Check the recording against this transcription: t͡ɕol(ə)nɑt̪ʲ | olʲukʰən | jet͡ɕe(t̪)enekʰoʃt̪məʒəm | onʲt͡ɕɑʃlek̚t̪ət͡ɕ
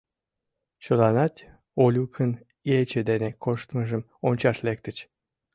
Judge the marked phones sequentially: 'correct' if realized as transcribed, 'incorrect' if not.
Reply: incorrect: ɑ, incorrect: d̪

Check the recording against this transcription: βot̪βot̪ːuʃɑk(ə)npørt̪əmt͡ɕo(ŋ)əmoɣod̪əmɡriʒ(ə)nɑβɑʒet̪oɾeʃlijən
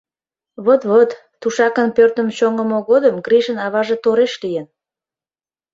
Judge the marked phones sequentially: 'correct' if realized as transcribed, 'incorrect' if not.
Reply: correct, correct, correct

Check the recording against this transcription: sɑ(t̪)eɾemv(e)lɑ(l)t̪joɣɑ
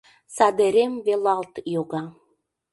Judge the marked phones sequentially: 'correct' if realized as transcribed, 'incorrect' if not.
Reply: incorrect: d̪, correct, correct

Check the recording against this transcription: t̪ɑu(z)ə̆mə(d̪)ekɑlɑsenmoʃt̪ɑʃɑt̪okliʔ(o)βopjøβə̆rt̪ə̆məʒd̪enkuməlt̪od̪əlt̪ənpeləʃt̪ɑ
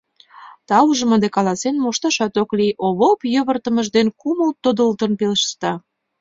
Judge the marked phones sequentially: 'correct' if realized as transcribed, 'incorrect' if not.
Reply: incorrect: ʒ, correct, correct

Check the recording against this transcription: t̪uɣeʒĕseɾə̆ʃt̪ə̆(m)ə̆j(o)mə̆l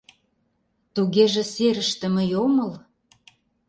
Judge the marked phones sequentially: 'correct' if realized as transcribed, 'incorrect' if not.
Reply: correct, correct

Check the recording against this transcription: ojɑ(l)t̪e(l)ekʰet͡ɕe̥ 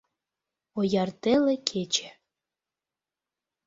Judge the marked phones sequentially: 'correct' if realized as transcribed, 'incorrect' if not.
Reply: incorrect: r, correct

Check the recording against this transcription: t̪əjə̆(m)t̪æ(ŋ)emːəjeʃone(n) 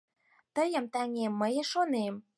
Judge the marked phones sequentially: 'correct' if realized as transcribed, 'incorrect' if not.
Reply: correct, correct, incorrect: m

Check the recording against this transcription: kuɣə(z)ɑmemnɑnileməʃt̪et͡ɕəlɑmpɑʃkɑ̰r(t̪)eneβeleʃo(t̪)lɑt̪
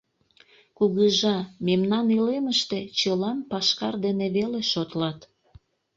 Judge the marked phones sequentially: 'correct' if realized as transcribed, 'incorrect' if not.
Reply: incorrect: ʒ, incorrect: d̪, correct

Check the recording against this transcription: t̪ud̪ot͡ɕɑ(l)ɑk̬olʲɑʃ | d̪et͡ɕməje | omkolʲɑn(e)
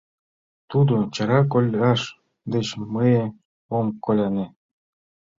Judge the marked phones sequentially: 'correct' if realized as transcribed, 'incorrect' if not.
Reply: incorrect: ɾ, correct

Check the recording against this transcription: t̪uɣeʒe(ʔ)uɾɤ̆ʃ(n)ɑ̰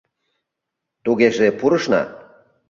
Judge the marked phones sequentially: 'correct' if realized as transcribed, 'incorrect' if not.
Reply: incorrect: p, correct

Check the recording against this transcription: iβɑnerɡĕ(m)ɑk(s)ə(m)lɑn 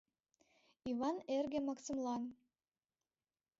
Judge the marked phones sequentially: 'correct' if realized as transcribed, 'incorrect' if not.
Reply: correct, correct, correct

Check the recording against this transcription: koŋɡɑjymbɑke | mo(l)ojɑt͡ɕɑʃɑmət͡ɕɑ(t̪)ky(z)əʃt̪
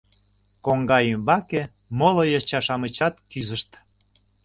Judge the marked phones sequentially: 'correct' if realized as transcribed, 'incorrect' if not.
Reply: correct, correct, correct

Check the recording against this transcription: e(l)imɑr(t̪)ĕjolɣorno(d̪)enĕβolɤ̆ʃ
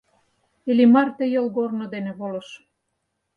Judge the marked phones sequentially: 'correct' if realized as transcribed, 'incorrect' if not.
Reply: correct, correct, correct

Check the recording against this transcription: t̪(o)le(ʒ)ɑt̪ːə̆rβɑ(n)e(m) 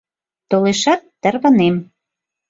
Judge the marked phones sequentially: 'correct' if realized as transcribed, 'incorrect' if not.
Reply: correct, incorrect: ʃ, correct, correct

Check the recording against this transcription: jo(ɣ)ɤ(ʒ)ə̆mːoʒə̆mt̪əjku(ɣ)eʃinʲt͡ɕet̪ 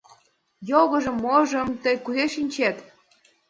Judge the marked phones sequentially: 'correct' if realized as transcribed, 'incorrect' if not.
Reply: correct, correct, incorrect: z

